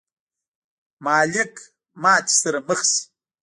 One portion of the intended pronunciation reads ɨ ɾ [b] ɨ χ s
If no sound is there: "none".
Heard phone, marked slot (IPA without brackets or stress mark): m